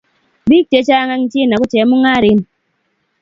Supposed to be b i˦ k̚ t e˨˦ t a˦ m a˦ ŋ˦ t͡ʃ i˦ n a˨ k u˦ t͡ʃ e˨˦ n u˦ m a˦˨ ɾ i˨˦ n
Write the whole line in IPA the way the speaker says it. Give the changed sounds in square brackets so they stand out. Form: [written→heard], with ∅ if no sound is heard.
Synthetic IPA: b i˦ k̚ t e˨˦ [t→t͡ʃ] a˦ [m→ŋ] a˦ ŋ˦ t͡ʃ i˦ n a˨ k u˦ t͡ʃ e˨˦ [n→m] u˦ [m→ŋ] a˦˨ ɾ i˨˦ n